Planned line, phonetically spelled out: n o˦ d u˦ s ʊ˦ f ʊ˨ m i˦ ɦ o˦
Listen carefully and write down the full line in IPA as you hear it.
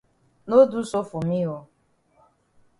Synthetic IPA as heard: n o˦ d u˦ s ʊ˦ f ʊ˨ m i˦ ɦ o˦